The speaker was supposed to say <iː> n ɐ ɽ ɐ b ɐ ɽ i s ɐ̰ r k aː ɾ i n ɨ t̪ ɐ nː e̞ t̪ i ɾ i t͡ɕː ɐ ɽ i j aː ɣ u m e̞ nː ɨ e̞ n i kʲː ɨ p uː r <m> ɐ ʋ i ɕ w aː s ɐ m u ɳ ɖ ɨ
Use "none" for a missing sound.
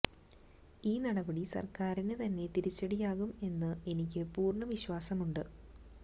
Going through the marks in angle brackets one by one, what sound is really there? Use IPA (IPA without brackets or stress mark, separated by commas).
iː, ɳ